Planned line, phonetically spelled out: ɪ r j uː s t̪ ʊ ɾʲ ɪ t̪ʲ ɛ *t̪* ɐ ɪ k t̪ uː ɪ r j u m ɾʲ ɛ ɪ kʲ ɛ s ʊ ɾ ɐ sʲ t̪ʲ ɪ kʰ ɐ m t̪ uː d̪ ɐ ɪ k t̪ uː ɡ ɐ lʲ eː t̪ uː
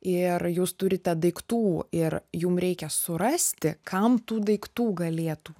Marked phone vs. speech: incorrect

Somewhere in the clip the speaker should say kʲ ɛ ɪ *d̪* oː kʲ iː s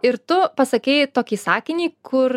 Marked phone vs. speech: incorrect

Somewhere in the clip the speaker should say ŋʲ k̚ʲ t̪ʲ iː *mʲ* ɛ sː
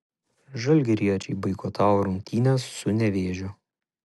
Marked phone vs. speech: incorrect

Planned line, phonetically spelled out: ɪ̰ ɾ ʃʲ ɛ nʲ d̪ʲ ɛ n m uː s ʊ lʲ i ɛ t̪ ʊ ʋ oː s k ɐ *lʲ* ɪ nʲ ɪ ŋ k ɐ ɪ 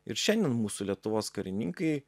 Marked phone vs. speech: incorrect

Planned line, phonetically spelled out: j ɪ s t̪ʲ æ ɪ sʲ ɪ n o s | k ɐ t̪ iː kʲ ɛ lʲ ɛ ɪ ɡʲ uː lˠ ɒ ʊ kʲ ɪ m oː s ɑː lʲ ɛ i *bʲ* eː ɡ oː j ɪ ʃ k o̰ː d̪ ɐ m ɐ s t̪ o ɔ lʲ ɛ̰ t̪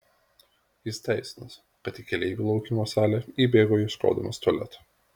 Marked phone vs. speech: correct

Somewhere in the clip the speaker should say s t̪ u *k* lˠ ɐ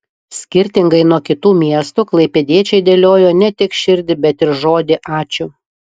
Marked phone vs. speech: correct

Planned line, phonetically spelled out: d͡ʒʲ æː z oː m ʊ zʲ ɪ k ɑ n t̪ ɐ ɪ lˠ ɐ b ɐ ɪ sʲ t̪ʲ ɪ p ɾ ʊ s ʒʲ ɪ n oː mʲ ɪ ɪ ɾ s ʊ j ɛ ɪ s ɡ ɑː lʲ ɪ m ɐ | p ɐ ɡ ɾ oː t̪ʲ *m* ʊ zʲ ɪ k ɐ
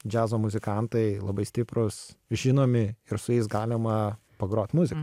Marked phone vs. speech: correct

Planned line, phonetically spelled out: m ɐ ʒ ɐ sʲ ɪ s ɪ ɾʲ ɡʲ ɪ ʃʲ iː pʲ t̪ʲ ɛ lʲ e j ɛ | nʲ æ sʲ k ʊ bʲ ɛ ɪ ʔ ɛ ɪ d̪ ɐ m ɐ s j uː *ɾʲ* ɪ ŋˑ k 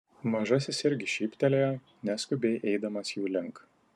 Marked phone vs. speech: incorrect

